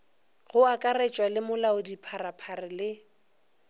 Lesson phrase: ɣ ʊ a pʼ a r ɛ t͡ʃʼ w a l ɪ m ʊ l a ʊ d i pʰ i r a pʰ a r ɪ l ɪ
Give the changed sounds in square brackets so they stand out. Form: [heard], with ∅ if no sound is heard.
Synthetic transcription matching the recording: ɣ ʊ a [kʼ] a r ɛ t͡ʃʼ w a l ɪ m ʊ l a ʊ d i pʰ [a] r a pʰ a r ɪ l ɪ